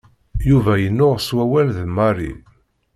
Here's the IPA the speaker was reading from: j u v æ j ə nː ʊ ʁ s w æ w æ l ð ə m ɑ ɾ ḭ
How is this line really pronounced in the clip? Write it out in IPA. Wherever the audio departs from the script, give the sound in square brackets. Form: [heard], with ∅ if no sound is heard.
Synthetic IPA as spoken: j u v æ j ə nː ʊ ʁ s w æ w æ l ð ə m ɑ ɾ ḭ